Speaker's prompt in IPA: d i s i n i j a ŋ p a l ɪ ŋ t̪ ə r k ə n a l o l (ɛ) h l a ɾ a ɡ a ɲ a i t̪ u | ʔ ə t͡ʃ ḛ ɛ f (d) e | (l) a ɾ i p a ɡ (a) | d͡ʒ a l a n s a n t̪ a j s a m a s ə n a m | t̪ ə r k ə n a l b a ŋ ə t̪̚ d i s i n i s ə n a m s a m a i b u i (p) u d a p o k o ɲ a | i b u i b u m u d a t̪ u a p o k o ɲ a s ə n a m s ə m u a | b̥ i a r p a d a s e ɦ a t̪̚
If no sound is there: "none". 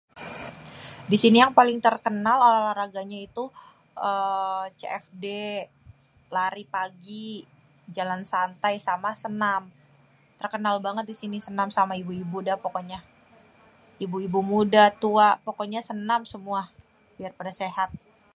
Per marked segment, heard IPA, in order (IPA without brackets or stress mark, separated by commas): a, d, l, i, b